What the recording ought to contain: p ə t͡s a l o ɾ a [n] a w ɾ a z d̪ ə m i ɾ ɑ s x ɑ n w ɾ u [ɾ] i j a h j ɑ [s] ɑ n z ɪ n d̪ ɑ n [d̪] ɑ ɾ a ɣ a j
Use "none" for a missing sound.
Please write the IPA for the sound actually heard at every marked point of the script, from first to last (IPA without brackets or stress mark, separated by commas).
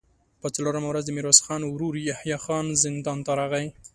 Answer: m, ɾ, x, t̪